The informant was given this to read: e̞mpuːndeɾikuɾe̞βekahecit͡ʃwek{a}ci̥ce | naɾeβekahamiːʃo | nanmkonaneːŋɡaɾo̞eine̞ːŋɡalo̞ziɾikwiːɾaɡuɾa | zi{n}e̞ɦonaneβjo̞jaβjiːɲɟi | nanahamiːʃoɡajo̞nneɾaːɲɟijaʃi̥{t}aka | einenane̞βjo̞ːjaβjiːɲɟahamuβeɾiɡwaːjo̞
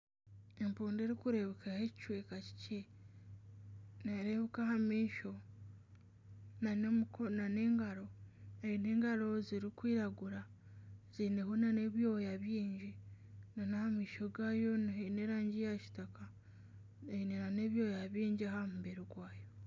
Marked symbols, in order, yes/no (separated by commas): yes, yes, yes